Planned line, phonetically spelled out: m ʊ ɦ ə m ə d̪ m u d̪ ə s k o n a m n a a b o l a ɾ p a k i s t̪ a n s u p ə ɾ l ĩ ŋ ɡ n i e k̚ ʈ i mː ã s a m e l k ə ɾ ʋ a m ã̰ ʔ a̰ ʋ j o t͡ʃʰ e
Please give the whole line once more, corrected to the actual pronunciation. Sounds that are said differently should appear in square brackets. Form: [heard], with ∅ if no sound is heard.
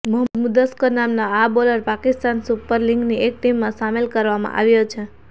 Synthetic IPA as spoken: m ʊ ɦ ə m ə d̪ m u d̪ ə s k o n a m n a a b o l [ə] ɾ p a k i s t̪ a n s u p ə ɾ l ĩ ŋ ɡ n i e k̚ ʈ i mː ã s a m e l k ə ɾ ʋ a m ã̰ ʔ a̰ ʋ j o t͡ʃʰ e